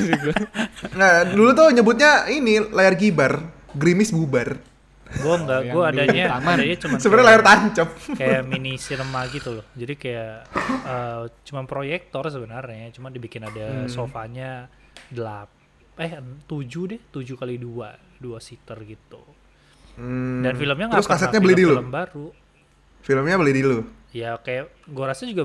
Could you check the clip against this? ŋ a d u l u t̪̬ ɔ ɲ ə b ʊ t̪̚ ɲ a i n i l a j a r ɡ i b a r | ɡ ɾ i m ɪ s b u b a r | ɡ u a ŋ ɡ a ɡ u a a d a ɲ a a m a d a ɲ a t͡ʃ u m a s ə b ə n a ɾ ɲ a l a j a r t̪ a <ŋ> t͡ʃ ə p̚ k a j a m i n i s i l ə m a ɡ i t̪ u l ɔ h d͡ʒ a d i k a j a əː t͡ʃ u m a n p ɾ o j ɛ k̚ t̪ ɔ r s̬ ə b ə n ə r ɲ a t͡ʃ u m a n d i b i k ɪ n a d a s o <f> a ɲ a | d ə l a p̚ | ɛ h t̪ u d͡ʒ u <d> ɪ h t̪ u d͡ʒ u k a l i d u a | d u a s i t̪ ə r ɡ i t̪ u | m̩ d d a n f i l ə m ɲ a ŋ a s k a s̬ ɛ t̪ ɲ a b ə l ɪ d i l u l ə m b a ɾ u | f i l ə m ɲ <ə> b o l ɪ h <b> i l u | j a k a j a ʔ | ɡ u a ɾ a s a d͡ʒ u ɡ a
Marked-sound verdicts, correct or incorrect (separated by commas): incorrect, correct, correct, incorrect, incorrect